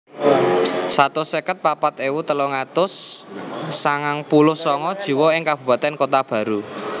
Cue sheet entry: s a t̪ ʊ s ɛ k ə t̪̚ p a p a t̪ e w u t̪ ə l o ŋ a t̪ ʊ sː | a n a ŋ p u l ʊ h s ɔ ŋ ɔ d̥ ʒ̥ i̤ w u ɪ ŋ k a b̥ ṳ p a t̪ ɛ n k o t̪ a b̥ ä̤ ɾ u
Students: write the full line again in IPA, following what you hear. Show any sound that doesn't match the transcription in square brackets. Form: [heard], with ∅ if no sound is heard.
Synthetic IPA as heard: s a t̪ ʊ s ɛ k ə t̪̚ p a p a t̪ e w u t̪ ə l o ŋ a t̪ ʊ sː | a [ŋ] a ŋ p u l ʊ h s ɔ ŋ ɔ d̥ ʒ̥ i̤ w [ɔ] ɪ ŋ k a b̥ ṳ p a t̪ ɛ n k o t̪ a b̥ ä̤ ɾ u